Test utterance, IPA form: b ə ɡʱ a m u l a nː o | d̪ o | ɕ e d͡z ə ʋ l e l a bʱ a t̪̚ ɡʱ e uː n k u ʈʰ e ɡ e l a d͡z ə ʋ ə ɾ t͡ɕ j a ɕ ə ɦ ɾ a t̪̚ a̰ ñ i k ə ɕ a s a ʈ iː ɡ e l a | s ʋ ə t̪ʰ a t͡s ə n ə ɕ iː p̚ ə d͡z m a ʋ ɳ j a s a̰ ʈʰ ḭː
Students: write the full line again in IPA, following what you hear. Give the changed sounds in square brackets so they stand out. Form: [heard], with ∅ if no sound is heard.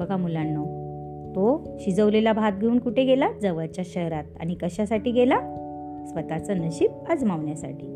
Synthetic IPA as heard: b ə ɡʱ a m u l a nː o | [t̪] o | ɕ [i] d͡z ə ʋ l e l a bʱ a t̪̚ ɡʱ e uː n k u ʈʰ e ɡ e l a d͡z ə ʋ ə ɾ t͡ɕ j a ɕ ə ɦ ɾ a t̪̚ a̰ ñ i k ə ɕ a s a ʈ iː ɡ e l a | s ʋ ə [t̪] a t͡s ə n ə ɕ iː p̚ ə d͡z m a ʋ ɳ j a s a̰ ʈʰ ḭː